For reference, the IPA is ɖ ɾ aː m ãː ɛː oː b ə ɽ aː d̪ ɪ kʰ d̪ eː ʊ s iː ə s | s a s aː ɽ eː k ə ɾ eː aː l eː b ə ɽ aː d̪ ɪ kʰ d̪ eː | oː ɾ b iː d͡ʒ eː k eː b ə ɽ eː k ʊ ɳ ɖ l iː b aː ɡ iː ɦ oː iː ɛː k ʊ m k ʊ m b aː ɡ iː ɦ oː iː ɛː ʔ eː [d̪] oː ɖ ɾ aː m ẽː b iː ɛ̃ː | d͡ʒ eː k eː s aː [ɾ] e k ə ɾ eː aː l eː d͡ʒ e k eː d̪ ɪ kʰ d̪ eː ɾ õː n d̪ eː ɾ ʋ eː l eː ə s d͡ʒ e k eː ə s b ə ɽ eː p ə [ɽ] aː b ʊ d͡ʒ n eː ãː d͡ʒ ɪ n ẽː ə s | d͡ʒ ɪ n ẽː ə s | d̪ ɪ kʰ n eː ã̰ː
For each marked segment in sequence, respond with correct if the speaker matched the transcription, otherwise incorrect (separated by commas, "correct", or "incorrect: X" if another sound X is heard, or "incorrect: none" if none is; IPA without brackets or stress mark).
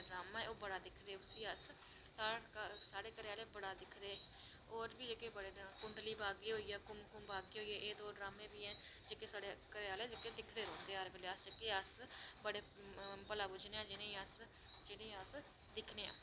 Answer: correct, incorrect: ɽ, incorrect: l